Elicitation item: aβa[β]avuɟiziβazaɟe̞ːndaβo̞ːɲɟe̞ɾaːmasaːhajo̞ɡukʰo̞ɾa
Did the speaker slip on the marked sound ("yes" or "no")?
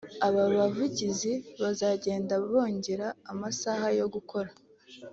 no